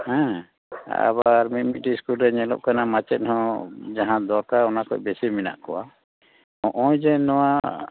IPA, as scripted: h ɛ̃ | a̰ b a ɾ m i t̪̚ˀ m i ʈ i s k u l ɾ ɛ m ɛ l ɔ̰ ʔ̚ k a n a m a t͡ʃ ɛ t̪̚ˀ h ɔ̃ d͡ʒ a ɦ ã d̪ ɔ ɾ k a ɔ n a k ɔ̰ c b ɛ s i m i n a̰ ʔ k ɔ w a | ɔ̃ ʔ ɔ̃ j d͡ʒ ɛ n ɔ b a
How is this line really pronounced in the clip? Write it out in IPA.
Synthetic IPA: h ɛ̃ | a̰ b a ɾ m i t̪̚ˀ m i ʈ i s k u l ɾ ɛ ɲ ɛ l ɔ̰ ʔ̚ k a n a m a t͡ʃ ɛ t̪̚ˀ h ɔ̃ d͡ʒ a ɦ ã d̪ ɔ ɾ k a ɔ n a k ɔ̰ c b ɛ s i m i n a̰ ʔ k ɔ w a | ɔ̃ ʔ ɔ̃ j d͡ʒ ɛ n ɔ w a